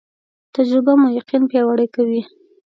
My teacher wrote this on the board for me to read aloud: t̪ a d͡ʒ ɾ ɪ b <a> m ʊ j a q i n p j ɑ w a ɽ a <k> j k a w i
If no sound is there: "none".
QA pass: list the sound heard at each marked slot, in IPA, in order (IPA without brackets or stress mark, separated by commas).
a, none